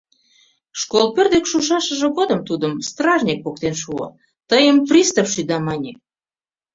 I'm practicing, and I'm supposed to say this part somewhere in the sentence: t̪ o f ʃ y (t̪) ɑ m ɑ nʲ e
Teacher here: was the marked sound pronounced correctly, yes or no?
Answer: no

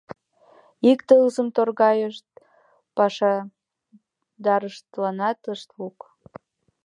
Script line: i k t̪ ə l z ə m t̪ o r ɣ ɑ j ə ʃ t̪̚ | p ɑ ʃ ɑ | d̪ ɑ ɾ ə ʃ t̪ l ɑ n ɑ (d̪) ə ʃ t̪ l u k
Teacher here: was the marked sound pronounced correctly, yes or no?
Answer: no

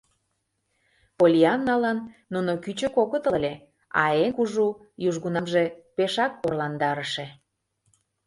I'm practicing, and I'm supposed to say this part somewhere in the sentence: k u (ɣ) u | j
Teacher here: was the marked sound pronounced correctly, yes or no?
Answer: no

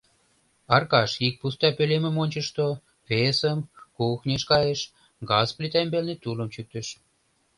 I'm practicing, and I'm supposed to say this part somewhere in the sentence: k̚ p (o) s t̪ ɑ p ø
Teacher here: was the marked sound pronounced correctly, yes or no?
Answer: no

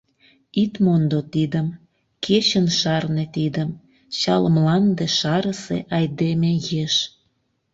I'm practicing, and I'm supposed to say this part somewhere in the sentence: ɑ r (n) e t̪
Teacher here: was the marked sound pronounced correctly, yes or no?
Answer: yes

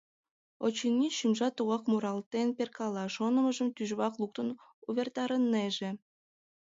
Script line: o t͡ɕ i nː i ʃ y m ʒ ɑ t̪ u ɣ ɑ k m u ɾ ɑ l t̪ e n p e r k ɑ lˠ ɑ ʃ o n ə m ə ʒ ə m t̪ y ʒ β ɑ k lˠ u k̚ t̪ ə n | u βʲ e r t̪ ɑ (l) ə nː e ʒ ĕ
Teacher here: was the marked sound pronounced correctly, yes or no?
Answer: no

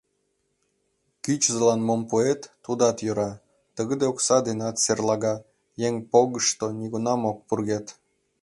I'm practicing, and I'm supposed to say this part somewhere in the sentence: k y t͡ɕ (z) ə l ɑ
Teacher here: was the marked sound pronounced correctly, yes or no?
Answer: yes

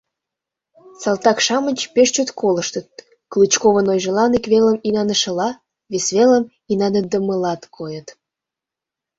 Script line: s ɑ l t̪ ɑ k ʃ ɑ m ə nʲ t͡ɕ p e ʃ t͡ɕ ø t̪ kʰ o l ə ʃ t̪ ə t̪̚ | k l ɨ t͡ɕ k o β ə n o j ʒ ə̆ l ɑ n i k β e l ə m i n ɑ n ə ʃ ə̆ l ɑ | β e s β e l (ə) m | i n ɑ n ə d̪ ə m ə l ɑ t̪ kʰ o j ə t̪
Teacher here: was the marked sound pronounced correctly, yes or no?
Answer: yes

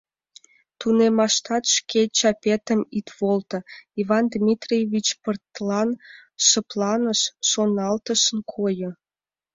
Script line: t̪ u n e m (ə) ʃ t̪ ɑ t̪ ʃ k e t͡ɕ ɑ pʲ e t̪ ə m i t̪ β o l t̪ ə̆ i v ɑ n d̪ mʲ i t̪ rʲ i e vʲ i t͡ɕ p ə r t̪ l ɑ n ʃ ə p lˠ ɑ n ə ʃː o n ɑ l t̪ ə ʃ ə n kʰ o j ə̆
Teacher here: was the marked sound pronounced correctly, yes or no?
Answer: no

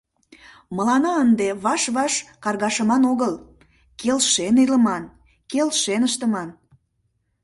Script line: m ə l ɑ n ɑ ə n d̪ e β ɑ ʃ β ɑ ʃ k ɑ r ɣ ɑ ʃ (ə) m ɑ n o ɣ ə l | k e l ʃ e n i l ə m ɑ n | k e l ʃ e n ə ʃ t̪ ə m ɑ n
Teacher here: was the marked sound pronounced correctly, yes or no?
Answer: yes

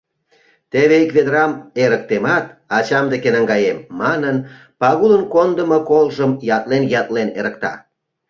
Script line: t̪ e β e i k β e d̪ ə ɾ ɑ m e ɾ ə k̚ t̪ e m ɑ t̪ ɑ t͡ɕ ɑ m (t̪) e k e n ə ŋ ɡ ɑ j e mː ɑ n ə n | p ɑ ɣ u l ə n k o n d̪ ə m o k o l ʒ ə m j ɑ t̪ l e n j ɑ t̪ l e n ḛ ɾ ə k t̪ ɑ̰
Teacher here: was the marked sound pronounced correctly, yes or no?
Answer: no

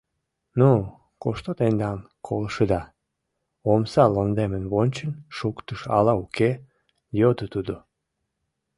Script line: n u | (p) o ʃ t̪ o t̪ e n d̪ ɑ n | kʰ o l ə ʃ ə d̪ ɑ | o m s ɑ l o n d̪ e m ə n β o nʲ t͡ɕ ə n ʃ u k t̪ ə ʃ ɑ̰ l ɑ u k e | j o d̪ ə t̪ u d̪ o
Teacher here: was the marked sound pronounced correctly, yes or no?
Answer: no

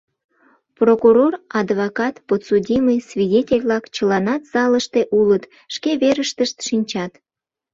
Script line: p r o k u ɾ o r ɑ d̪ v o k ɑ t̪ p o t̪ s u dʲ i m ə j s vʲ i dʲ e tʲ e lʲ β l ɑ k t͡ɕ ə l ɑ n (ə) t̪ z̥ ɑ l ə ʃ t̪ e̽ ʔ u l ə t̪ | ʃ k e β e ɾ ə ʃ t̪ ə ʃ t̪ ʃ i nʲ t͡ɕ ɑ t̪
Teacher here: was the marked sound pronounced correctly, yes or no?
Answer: no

